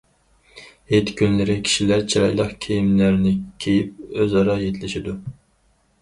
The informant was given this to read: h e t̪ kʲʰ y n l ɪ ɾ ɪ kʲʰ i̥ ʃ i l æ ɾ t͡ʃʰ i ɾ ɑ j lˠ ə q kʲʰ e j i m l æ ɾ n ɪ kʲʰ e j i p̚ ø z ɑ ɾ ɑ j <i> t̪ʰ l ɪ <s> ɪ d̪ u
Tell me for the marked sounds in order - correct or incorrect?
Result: incorrect: e, incorrect: ʃ

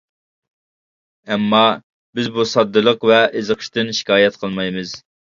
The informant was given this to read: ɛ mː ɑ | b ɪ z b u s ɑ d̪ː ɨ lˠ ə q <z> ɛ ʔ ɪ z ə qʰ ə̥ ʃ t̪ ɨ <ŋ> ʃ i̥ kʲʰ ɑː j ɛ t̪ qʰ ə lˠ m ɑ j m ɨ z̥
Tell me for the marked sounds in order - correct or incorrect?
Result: incorrect: v, incorrect: n

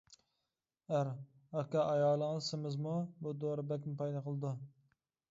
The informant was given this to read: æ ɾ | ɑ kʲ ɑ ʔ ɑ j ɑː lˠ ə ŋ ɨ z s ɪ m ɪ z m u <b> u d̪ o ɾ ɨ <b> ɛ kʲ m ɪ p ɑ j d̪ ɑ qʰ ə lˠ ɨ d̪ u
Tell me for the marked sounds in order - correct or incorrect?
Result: correct, correct

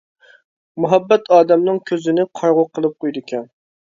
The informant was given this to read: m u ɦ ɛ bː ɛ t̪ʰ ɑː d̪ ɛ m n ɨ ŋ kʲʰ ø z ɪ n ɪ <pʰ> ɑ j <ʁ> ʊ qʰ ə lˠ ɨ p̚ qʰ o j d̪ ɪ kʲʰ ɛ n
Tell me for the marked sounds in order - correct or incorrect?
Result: incorrect: qʰ, correct

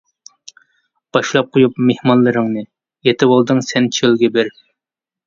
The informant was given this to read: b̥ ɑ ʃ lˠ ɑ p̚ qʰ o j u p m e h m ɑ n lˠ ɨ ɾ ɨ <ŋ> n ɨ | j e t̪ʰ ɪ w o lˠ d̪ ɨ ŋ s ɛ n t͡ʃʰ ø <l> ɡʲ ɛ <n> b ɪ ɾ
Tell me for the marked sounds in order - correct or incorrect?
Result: correct, correct, incorrect: none

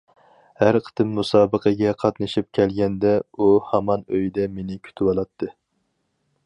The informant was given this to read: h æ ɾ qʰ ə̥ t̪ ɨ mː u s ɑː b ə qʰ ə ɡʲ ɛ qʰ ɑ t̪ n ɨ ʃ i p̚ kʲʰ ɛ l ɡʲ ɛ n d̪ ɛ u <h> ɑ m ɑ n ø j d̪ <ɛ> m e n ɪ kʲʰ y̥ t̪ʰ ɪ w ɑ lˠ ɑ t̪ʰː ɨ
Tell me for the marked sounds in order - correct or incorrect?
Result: correct, correct

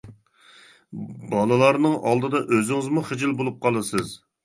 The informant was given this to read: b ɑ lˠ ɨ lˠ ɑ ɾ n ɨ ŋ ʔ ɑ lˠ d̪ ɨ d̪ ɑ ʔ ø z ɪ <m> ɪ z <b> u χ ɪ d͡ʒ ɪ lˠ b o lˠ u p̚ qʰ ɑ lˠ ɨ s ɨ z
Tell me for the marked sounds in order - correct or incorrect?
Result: incorrect: ŋ, incorrect: m

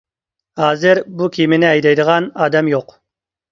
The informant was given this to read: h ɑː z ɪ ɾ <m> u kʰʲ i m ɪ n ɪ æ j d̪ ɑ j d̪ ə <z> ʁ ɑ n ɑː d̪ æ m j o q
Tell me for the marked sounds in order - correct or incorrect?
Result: incorrect: b, incorrect: none

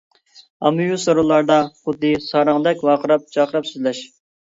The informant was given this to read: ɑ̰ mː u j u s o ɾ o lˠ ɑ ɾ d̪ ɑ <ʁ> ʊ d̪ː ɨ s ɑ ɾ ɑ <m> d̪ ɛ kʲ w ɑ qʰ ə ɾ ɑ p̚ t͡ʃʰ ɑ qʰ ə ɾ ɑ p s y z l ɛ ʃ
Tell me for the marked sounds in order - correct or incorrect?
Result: incorrect: χ, incorrect: ŋ

